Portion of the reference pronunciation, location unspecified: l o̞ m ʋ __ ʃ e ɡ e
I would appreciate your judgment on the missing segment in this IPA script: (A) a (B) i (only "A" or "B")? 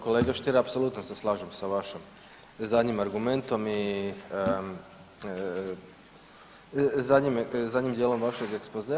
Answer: A